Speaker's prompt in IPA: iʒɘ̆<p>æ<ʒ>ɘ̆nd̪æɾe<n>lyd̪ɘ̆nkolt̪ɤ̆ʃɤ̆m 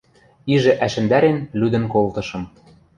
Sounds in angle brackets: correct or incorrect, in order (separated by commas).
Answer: incorrect, incorrect, correct